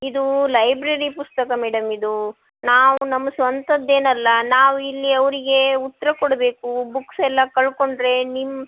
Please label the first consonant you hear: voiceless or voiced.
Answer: voiced